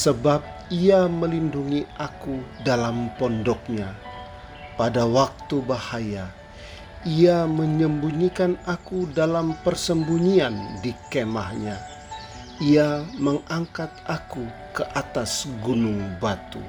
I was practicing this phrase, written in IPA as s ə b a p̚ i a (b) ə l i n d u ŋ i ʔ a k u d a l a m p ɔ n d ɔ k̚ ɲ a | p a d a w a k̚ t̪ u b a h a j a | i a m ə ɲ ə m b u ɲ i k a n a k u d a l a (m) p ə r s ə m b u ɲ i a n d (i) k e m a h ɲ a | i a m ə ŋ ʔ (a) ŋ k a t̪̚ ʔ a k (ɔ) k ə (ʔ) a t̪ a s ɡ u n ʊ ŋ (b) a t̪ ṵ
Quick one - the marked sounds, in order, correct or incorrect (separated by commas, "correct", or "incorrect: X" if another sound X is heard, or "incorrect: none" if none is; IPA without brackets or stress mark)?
incorrect: m, correct, correct, correct, incorrect: u, correct, correct